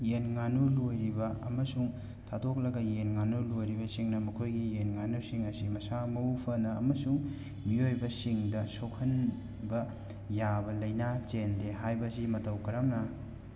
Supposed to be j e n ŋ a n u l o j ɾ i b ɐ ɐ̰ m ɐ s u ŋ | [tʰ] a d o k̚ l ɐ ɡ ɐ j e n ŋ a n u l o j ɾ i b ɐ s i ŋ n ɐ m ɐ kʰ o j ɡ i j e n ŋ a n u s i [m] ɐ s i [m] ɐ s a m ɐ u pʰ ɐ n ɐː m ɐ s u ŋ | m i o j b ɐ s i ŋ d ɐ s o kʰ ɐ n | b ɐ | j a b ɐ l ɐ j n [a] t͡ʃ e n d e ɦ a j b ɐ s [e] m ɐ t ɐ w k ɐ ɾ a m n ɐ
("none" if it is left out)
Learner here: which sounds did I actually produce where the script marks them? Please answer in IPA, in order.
tʰ, ŋ, m, a, i

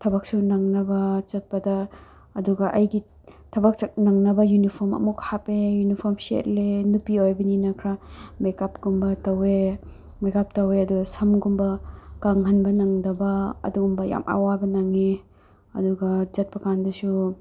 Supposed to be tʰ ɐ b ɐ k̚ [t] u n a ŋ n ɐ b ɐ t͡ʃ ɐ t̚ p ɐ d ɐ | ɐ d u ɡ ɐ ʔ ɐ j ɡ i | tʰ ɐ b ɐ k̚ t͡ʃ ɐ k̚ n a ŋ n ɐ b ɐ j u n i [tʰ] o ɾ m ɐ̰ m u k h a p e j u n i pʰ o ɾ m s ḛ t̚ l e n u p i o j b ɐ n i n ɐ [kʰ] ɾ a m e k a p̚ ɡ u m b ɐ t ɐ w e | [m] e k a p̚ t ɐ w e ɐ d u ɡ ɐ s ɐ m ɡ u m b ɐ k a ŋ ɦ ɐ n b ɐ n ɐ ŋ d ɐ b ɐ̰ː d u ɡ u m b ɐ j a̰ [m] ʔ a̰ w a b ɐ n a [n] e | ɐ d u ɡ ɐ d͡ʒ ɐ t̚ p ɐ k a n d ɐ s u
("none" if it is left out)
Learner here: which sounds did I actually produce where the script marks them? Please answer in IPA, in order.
s, pʰ, kʰ, m, m, ŋ

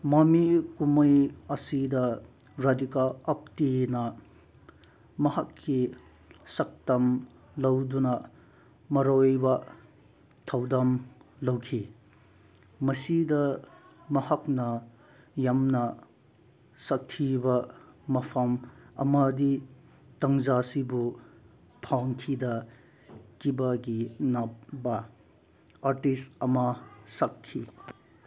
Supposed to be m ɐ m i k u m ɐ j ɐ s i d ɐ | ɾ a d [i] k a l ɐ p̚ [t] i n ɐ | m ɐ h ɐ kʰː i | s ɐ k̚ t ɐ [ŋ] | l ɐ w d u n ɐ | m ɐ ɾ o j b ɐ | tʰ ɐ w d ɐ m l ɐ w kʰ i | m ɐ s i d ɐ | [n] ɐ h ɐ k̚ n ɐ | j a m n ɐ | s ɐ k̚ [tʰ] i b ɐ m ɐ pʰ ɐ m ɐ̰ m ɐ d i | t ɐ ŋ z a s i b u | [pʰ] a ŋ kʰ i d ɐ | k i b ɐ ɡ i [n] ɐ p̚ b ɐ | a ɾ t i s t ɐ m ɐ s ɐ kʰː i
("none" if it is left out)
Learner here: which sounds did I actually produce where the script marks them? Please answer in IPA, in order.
i, t, m, m, tʰ, pʰ, n

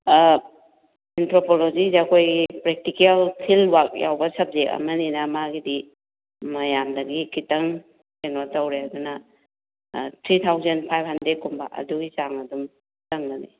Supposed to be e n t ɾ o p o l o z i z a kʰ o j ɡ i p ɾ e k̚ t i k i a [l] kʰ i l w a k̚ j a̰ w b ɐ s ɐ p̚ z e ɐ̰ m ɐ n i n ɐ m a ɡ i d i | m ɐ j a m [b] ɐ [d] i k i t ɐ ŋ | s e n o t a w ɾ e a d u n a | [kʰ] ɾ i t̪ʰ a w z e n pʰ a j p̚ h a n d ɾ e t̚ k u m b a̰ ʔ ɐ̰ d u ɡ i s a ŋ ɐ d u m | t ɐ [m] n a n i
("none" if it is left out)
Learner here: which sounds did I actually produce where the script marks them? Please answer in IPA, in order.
l, d, ɡ, tʰ, ŋ

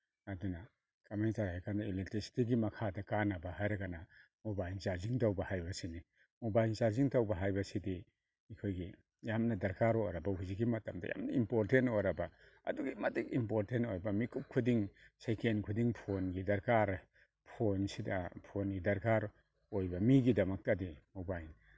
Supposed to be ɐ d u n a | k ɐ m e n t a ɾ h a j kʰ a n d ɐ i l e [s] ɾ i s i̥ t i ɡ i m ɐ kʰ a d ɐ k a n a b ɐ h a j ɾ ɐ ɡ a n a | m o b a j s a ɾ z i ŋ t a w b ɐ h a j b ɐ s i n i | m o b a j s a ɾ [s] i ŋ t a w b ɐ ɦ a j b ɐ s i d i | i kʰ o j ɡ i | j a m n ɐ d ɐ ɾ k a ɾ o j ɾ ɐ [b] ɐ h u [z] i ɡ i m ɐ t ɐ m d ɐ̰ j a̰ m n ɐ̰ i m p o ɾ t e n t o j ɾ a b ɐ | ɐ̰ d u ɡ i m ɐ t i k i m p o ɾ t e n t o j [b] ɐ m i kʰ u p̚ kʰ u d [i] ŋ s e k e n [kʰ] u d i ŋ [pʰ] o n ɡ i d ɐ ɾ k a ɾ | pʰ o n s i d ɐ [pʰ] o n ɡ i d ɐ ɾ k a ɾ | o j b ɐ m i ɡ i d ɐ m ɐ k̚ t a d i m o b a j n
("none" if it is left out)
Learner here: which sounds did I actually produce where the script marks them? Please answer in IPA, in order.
t, z, b, z, b, i, kʰ, pʰ, pʰ

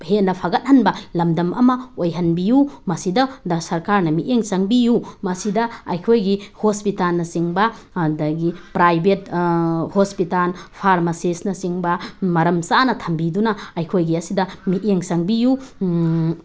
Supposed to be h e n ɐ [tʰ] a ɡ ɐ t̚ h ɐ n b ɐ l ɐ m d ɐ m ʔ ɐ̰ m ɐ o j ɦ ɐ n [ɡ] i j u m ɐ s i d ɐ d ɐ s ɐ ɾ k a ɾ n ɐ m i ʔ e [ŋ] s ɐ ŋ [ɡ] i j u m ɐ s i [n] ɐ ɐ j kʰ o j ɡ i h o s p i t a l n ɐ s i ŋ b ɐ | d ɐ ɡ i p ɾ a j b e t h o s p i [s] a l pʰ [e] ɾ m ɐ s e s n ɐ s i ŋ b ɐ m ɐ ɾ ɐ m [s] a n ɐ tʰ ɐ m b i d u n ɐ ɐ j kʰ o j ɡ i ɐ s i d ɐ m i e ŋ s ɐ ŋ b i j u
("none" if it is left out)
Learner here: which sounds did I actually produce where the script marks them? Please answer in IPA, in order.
pʰ, b, ŋ, b, d, t, a, s

